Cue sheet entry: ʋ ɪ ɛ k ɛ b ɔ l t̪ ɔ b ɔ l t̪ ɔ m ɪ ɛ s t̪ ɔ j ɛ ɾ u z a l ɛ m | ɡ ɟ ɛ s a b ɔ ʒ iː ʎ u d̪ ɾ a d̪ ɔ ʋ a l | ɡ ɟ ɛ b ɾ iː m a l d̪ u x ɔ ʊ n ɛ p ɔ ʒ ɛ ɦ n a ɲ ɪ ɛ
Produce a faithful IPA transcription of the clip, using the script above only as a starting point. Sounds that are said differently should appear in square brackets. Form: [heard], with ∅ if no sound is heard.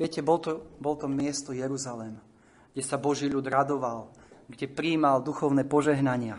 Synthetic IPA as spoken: ʋ ɪ ɛ [c] ɛ b ɔ l t̪ ɔ b ɔ l t̪ ɔ m ɪ ɛ s t̪ ɔ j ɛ ɾ u z a l ɛ m | ɡ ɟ ɛ s a b ɔ ʒ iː ʎ u d̪ ɾ a d̪ ɔ ʋ a l | ɡ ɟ ɛ [p] ɾ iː m a l d̪ u x ɔ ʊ n ɛ p ɔ ʒ ɛ ɦ n a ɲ ɪ [a]